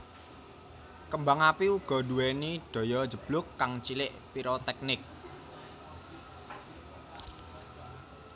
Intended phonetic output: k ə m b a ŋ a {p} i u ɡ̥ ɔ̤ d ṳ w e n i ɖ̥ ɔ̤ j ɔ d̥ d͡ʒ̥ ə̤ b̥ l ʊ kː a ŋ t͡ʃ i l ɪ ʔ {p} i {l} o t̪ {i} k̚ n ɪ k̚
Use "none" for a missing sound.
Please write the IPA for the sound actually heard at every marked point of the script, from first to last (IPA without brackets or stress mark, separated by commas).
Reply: p, p, ɾ, ɛ